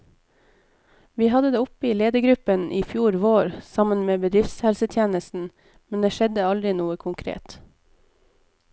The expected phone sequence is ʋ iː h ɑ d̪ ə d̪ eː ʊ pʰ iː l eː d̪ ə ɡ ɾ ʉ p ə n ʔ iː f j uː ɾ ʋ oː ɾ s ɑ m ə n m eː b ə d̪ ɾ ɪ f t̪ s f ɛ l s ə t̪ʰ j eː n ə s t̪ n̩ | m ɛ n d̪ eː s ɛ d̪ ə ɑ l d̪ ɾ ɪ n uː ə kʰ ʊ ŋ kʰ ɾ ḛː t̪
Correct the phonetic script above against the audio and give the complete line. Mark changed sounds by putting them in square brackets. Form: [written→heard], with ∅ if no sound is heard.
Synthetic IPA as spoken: ʋ iː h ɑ d̪ ə d̪ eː ʊ [pʰ→p] iː l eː d̪ ə ɡ ɾ ʉ p ə n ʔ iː f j uː ɾ ʋ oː ɾ s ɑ m ə n m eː b ə d̪ ɾ ɪ f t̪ s [f→h] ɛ l s ə t̪ʰ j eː n ə s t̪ n̩ | m ɛ n d̪ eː [s→ʃ] ɛ d̪ ə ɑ l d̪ ɾ ɪ n uː ə kʰ ʊ ŋ kʰ ɾ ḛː t̪

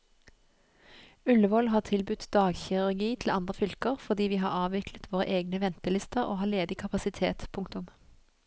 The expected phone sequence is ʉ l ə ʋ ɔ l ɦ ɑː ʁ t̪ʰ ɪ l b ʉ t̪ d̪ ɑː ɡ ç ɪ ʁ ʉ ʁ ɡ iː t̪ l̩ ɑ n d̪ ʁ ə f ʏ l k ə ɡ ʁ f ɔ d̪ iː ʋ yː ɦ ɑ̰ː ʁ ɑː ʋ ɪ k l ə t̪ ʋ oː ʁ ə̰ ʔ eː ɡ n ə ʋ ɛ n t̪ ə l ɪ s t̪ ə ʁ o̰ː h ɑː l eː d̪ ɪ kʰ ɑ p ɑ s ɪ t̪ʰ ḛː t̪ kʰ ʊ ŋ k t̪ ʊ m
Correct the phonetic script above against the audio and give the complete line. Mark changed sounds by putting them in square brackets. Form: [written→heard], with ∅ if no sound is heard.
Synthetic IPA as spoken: ʉ l ə ʋ ɔ l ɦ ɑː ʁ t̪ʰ ɪ l b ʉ t̪ d̪ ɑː ɡ ç ɪ ʁ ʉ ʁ ɡ iː [t̪→t̪ʰ] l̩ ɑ n d̪ ʁ ə f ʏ l k ə [ɡ→∅] ʁ f ɔ d̪ iː ʋ [yː→iː] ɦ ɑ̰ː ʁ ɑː ʋ ɪ k l ə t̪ ʋ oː ʁ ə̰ ʔ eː ɡ n ə ʋ ɛ n t̪ ə l ɪ s t̪ ə ʁ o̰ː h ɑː l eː d̪ ɪ kʰ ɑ p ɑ s ɪ t̪ʰ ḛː t̪ [kʰ→pʰ] ʊ ŋ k t̪ ʊ m

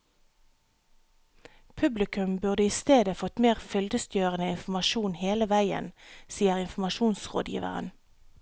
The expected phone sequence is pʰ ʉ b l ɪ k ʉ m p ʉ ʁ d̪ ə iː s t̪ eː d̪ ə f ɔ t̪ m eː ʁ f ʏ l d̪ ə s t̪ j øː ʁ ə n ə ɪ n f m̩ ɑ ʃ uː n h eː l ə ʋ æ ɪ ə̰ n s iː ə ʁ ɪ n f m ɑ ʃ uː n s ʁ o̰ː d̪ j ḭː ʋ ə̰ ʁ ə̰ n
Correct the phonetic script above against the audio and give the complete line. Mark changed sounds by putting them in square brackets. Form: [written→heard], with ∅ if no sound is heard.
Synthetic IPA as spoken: pʰ ʉ b l ɪ k ʉ m [p→b] ʉ ʁ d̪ ə iː s t̪ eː d̪ ə f ɔ t̪ m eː ʁ f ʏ l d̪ ə s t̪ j øː ʁ ə n ə ɪ n f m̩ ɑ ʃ uː n h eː l ə ʋ æ ɪ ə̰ n s iː ə ʁ ɪ n f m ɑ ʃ uː n s ʁ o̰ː d̪ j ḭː ʋ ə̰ ʁ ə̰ n

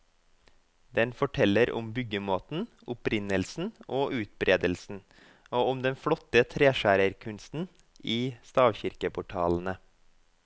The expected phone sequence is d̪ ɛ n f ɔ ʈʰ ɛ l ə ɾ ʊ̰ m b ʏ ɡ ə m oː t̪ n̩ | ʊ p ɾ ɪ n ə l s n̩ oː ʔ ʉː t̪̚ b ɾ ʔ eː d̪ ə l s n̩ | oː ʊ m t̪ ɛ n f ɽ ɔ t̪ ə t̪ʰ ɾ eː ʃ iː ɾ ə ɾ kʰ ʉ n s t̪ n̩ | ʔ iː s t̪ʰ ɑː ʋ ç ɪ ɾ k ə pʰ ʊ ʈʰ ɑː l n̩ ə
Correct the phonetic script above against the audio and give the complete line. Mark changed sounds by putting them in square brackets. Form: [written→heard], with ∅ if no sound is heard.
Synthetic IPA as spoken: d̪ ɛ n f ɔ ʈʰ ɛ l ə ɾ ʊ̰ m b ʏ ɡ ə m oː t̪ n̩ | ʊ p ɾ ɪ n ə l s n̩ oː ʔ ʉː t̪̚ b ɾ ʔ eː d̪ ə l s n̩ | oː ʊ m [t̪→d̪] ɛ n f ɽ ɔ t̪ ə t̪ʰ ɾ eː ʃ [iː→æː] ɾ ə ɾ kʰ ʉ n s t̪ n̩ | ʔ iː s [t̪ʰ→t̪] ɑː ʋ ç ɪ ɾ k ə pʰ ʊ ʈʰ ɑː l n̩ ə

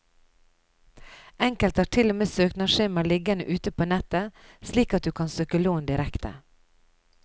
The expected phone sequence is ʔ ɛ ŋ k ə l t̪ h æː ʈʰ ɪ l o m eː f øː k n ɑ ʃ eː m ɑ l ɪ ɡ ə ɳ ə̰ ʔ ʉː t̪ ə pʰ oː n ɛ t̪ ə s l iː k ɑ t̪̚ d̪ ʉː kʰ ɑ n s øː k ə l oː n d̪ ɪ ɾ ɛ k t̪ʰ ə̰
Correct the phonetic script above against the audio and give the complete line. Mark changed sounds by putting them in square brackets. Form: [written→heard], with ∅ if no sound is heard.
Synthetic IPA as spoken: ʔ ɛ ŋ k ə l t̪ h æː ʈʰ ɪ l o m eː [f→s] øː k n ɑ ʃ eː m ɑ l ɪ ɡ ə [ɳ→n] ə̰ ʔ ʉː t̪ ə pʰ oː n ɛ t̪ ə s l iː k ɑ t̪̚ d̪ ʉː kʰ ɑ n s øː k ə l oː n d̪ ɪ ɾ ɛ k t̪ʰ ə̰

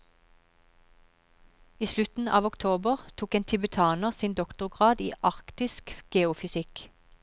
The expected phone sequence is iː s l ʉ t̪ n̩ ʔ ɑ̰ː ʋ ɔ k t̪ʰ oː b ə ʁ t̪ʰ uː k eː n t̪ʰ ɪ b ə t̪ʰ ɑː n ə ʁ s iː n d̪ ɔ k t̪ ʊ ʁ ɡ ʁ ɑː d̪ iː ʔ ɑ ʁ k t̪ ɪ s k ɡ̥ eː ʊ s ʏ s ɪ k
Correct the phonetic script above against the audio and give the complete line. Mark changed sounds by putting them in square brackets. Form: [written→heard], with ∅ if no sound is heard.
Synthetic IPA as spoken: iː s l ʉ t̪ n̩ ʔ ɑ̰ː ʋ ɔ k t̪ʰ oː b ə ʁ t̪ʰ uː k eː n t̪ʰ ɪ b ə t̪ʰ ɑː n ə ʁ s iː n d̪ ɔ k t̪ ʊ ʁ ɡ ʁ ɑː d̪ iː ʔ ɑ ʁ k t̪ ɪ s k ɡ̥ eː ʊ [s→f] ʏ s ɪ k

